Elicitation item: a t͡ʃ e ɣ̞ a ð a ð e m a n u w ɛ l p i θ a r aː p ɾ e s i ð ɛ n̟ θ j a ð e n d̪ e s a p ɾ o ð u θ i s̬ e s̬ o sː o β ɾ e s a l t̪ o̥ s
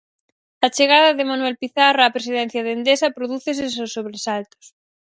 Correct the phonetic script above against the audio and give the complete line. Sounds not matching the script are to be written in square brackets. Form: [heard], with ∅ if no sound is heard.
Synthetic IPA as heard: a t͡ʃ e ɣ̞ a ð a ð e m a n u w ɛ l p i θ a r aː p ɾ e s i ð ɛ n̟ θ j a ð e n d̪ e s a p ɾ o ð u θ [e] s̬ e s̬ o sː o β ɾ e s a l t̪ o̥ s

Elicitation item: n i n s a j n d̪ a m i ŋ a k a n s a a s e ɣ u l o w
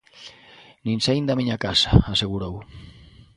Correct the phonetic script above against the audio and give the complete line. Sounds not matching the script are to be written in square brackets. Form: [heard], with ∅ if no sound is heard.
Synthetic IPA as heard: n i n s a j n d̪ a m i [ɲ] a k a [∅] s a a s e ɣ u [ɾ] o w

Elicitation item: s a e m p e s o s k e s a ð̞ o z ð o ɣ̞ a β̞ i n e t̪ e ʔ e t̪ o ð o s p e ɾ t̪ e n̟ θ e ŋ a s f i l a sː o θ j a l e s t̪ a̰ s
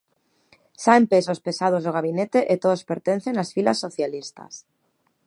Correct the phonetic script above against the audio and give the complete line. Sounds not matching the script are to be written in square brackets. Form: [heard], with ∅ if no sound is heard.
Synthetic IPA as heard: s a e m p e s o s [p] e s a ð̞ o z ð o ɣ̞ a β̞ i n e t̪ e ʔ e t̪ o ð o s p e ɾ t̪ e n̟ θ e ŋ a s f i l a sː o θ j a l [i] s t̪ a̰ s

